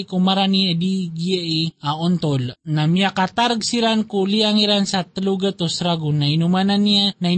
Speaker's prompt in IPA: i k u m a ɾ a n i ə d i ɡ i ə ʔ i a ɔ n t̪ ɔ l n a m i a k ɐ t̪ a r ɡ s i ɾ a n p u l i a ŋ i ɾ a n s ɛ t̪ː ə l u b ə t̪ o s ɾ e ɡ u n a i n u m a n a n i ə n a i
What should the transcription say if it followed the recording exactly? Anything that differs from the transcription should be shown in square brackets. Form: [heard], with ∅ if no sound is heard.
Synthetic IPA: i k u m a ɾ a n i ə d i ɡ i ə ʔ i a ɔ n t̪ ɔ l n a m i a k [a] t̪ a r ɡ s i ɾ a n [k] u l i a ŋ i ɾ a n s [a] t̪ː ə l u [ɡ] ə t̪ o s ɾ [a] ɡ u n a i n u m a n a n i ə n a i